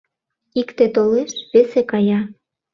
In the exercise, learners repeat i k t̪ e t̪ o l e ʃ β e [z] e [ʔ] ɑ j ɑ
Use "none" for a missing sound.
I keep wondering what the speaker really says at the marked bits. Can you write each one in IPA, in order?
s, k

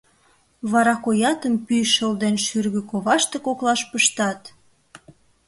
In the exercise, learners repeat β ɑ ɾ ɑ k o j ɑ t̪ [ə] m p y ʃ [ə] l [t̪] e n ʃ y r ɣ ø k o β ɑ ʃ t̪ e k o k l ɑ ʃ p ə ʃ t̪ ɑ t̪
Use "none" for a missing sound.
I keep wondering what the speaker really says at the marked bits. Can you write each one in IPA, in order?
ə, ə, d̪

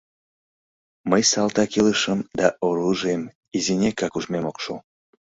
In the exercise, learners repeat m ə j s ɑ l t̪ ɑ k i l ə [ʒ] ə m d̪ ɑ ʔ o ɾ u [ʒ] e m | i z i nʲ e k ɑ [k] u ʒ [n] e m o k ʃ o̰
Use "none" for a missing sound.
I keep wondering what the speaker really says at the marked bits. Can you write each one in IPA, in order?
ʃ, ʒ, k, m

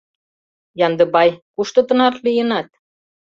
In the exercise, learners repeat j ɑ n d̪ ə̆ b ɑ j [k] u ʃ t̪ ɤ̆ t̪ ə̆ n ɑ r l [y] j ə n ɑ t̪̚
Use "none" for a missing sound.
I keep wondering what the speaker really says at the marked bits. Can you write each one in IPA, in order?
k, i

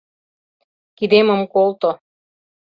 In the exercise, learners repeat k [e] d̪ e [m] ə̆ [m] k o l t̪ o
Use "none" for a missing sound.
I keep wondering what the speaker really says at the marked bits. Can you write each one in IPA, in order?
i, m, m

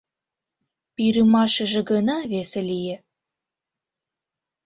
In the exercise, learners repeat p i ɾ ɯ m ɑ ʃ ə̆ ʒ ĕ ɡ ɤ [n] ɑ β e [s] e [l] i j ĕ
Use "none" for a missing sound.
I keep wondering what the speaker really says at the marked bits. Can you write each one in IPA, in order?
n, s, l

